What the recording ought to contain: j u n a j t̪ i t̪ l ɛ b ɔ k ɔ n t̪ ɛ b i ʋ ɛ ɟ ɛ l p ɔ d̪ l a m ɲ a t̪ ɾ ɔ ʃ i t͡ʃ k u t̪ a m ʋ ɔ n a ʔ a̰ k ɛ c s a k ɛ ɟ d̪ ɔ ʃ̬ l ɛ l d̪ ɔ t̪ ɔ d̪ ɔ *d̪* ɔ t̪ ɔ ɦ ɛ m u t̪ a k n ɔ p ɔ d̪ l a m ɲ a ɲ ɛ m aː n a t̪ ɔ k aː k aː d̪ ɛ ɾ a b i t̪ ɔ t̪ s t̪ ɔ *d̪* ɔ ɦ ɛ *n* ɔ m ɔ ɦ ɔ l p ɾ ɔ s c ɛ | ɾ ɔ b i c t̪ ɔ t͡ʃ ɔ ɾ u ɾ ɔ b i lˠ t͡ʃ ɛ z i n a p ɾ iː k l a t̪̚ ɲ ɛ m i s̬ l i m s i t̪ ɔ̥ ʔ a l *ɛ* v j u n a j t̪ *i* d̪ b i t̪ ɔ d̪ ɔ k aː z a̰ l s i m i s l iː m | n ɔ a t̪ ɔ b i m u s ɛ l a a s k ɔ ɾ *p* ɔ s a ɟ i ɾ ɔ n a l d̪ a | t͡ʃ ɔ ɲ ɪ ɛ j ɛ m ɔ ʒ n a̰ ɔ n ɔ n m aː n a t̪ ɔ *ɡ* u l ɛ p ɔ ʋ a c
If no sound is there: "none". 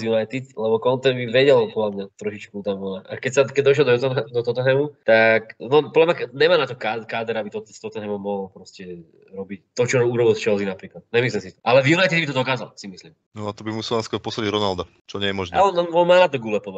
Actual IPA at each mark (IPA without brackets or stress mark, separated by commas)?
t̪, t̪, m, ɛ, i, p, ɡ